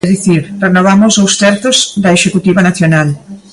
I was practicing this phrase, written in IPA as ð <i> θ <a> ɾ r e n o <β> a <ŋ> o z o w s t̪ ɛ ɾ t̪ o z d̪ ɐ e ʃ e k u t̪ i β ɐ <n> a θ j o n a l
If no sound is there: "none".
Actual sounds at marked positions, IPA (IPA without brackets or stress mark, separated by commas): i, i, β, m, n